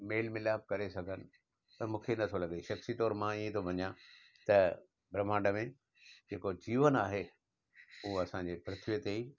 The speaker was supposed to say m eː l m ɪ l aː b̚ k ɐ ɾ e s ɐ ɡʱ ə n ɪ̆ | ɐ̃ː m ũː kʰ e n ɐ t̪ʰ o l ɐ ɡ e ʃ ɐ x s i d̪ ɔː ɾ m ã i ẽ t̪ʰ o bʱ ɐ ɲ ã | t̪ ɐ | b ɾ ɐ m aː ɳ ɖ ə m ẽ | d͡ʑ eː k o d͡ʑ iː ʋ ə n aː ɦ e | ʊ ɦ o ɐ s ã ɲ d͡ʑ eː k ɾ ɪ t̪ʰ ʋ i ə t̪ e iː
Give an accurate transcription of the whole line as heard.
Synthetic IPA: m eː l m ɪ l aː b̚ k ɐ ɾ e s ɐ ɡʱ ə n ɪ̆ | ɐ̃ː m ũː kʰ e n ɐ t̪ʰ o l ɐ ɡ e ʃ ɐ x s i t̪ ɔː ɾ m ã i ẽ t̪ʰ o bʱ ɐ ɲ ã | t̪ ɐ | b ɾ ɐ m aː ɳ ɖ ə m ẽ | d͡ʑ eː k o d͡ʑ iː ʋ ə n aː ɦ e | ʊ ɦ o ɐ s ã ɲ d͡ʑ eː p ɾ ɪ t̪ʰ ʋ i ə t̪ e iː